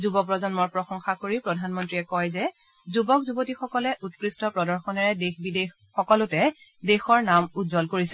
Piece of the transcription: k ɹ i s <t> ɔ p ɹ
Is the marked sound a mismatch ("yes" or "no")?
no